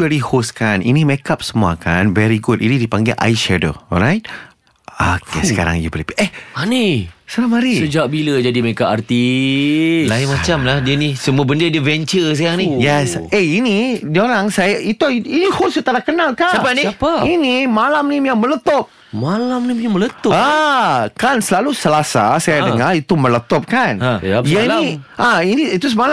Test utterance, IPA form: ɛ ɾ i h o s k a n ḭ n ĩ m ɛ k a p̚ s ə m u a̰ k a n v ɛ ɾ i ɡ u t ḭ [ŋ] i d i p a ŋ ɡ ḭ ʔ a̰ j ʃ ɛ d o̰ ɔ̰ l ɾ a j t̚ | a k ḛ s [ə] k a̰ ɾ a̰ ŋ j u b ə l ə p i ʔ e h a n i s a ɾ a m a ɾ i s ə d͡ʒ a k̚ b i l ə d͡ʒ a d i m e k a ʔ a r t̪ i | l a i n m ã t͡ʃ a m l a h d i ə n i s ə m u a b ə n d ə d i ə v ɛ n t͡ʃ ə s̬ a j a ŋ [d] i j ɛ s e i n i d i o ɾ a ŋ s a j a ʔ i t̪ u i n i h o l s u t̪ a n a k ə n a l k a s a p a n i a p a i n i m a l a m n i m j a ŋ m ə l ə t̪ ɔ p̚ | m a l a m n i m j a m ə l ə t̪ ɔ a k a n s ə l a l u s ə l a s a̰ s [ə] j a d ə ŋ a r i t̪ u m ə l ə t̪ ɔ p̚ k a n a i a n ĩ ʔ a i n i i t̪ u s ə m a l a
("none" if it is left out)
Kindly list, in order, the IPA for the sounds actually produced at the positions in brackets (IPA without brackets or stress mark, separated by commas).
n, ə, n, a